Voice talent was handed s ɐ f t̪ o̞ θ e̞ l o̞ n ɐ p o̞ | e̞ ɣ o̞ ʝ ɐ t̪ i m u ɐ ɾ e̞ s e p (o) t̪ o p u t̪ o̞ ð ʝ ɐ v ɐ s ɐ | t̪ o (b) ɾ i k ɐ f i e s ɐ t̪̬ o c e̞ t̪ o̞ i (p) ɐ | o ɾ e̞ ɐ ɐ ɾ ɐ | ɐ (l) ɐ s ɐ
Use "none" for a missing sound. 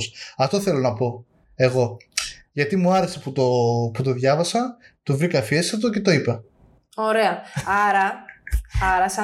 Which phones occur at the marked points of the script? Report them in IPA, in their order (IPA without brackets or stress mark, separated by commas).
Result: u, v, p, ɾ